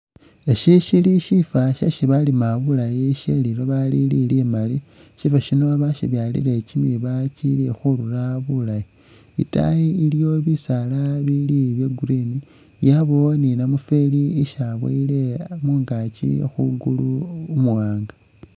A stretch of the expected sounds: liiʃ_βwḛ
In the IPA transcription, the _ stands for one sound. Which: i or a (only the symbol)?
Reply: a